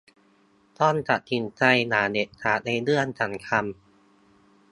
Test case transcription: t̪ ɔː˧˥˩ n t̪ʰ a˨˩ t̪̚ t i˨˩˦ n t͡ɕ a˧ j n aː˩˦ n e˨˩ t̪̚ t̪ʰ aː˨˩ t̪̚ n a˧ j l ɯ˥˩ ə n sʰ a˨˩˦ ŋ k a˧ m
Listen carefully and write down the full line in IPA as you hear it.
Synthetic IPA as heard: t̪ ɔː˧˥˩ n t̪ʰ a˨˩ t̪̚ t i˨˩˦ n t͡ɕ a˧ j n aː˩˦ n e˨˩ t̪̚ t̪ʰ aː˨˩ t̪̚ n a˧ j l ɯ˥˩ ə n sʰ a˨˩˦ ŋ kʰ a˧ m

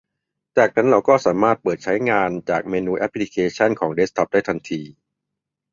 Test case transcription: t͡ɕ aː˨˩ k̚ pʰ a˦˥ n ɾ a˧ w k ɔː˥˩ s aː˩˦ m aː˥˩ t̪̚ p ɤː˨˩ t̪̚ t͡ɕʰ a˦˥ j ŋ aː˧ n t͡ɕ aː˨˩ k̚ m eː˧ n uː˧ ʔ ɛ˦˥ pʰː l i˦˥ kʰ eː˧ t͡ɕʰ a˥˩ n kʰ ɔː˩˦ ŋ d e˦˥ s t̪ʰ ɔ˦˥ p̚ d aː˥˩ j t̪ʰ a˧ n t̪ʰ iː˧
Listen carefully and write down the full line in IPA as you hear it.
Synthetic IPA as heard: t͡ɕ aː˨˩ k̚ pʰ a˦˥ n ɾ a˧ w k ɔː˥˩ s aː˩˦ m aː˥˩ t̪̚ p ɤː˨˩ t̪̚ t͡ɕʰ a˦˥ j ŋ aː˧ n t͡ɕ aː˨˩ k̚ m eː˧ n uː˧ ʔ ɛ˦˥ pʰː l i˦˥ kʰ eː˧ t͡ɕʰ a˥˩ n kʰ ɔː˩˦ ŋ d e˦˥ s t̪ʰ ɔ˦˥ p̚ d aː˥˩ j t̪ʰ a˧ n t̪ʰ iː˧

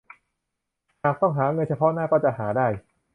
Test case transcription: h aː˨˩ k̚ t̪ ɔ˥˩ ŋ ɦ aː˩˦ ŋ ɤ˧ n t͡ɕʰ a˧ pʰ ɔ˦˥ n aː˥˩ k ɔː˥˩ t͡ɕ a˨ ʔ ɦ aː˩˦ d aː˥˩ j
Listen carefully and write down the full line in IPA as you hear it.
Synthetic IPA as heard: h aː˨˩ k̚ t̪ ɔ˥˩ ŋ ɦ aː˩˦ ŋ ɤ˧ n t͡ɕʰ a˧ pʰ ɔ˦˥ n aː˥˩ k ɔː˥˩ t͡ɕ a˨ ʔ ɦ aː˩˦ d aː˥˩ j

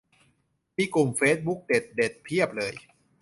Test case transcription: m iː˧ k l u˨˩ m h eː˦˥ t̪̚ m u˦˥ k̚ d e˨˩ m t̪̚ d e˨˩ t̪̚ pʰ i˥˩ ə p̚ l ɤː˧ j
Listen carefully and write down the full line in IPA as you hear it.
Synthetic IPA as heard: m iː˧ k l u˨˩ m f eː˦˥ t̪̚ b u˦˥ k̚ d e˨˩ t̪̚ d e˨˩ t̪̚ pʰ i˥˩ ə p̚ l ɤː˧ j

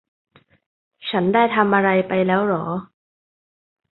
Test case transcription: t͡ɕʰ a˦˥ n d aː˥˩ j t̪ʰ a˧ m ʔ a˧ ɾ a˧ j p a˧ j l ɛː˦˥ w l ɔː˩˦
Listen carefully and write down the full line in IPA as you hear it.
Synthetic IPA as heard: t͡ɕʰ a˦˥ n d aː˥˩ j t̪ʰ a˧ m ʔ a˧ ɾ a˧ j p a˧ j l ɛː˦˥ w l ɔː˩˦

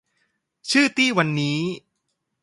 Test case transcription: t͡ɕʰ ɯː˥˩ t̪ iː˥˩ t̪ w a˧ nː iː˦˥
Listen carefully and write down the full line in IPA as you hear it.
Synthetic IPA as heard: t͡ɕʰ ɯː˥˩ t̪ iː˥˩ w a˧ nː iː˦˥

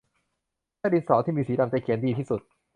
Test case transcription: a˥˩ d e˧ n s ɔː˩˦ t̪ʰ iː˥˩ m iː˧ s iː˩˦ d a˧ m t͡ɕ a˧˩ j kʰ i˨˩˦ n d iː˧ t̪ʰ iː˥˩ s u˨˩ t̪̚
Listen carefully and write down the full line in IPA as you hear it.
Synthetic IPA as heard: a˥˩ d i˧ n s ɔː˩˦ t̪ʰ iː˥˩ m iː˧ s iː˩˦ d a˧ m t͡ɕ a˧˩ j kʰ i˨˩˦ n d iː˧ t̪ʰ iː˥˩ s u˨˩ t̪̚

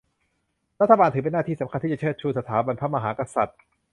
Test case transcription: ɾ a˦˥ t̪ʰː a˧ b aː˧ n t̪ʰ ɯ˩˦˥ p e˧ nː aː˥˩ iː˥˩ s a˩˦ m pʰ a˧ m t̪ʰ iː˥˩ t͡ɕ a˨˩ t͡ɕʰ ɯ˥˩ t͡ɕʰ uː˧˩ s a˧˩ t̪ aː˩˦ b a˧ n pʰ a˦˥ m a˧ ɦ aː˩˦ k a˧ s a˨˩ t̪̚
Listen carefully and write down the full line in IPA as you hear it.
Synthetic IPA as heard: ɾ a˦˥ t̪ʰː a˧ b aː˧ n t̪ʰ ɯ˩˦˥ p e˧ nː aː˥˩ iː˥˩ s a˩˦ m kʰ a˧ n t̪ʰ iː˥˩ t͡ɕ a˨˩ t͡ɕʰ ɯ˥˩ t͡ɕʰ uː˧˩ s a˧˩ t̪ʰ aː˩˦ b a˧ n pʰ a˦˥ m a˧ ɦ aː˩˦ k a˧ s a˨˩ t̪̚

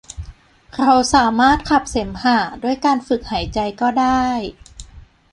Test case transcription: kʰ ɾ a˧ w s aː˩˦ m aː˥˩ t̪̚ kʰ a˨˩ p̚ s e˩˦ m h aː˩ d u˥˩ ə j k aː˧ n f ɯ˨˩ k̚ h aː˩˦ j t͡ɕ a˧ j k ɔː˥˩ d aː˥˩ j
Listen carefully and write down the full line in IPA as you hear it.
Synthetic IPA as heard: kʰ ɾ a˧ w s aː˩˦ m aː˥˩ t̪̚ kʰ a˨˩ p̚ s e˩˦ m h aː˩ d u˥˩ ə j k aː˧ n f ɯ˨˩ k̚ h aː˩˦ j t͡ɕ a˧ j k ɔː˥˩ d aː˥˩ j

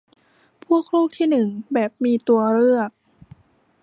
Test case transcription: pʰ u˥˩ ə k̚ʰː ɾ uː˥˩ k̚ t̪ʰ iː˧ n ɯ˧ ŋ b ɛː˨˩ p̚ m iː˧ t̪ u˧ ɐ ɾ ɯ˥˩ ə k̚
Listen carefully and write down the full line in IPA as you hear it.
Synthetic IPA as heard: pʰ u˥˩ ə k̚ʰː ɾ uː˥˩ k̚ t̪ʰ iː˥˩ n ɯ˨˩ ŋ b ɛː˨˩ p̚ m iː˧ t̪ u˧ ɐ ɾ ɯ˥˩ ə k̚

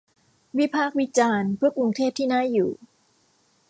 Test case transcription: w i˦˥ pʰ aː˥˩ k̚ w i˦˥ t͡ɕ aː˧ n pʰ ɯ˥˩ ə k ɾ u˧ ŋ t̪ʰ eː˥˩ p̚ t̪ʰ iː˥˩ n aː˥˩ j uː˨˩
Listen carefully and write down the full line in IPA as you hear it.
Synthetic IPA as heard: w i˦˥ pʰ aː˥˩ k̚ w i˦˥ t͡ɕ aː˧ n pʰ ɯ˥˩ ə k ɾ u˧ ŋ t̪ʰ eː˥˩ p̚ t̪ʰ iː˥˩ n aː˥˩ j uː˨˩

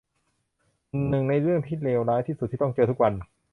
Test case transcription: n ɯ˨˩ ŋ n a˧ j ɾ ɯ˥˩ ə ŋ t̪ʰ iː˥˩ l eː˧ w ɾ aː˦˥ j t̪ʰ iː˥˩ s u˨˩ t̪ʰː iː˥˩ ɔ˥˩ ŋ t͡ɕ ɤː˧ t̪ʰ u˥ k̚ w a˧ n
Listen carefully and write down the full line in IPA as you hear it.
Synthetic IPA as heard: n ɯ˨˩ ŋ n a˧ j ɾ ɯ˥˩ ə ŋ t̪ʰ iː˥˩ l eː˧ w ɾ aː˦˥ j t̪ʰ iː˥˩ s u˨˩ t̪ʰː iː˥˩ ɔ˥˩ ŋ t͡ɕ ɤː˧ t̪ʰ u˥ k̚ w a˧ n

